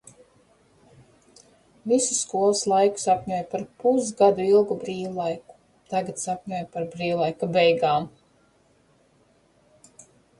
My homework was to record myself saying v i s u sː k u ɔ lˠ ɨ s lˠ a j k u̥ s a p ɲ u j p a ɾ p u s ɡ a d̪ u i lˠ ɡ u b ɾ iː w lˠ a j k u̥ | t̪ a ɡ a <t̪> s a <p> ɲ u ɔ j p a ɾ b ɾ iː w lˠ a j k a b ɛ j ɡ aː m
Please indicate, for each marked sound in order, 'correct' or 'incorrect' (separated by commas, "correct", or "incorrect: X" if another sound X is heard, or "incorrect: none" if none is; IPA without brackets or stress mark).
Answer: correct, correct